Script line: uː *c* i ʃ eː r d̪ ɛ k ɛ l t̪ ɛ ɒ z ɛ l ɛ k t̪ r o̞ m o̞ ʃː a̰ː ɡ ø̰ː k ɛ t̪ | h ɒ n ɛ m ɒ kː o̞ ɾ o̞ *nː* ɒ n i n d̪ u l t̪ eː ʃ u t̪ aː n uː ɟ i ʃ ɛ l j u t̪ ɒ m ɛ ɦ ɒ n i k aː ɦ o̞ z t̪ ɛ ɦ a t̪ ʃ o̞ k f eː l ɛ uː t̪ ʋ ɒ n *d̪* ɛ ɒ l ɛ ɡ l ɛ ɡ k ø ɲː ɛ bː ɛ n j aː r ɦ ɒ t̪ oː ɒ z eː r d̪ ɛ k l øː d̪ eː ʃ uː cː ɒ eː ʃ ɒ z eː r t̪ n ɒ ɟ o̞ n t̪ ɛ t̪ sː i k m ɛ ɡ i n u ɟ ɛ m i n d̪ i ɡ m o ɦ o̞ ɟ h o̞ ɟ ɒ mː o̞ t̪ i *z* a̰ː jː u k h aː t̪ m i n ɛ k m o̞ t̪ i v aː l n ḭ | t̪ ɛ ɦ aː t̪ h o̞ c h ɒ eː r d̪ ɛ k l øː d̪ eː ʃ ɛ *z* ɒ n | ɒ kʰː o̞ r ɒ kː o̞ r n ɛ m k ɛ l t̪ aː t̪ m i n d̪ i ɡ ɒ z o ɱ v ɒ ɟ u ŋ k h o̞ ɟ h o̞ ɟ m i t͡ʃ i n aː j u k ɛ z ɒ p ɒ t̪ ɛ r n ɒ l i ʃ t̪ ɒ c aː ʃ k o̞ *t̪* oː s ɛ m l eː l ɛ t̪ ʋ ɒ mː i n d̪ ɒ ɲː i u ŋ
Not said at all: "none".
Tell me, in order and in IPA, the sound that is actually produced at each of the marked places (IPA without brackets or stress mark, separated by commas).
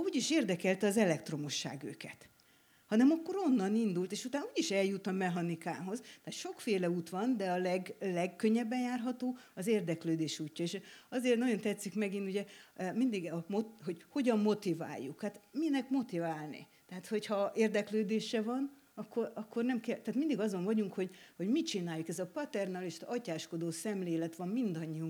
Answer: ɟ, nː, d̪, v, v, d̪